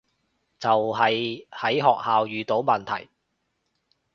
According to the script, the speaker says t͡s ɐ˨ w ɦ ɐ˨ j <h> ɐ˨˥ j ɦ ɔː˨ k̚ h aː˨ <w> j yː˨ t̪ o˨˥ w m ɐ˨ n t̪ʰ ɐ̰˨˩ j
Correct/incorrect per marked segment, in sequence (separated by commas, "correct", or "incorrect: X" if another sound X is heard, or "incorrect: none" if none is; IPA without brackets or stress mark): correct, correct